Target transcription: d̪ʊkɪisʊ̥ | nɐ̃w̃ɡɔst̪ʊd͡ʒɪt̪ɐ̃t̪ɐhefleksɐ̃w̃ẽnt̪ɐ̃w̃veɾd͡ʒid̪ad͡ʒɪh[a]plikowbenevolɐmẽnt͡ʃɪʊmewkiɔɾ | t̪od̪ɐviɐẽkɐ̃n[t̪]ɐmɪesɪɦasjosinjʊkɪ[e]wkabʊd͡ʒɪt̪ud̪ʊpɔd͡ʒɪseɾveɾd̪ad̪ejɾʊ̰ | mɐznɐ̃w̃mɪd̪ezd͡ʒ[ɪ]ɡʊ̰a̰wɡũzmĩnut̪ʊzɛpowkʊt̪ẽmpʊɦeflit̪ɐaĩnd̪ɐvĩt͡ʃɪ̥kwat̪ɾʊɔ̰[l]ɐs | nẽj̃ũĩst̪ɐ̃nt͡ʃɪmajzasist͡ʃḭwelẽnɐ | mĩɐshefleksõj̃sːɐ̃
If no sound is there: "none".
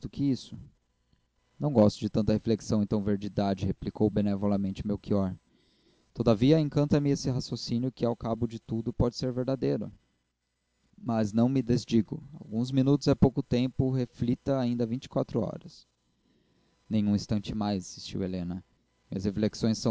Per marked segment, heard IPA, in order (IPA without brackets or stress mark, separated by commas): e, t̪, a, i, ɾ